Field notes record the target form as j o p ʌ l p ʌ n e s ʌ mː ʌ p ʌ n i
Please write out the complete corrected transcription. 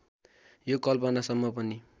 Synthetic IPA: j o k ʌ l p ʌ n a s ʌ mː ʌ p ʌ n i